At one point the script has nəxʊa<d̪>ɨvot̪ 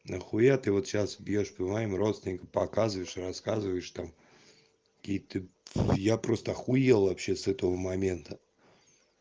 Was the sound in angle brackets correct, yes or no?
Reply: no